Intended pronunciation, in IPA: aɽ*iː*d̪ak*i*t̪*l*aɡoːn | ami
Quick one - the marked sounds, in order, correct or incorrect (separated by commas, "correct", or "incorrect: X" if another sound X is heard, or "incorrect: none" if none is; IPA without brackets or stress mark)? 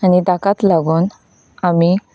incorrect: i, incorrect: a, correct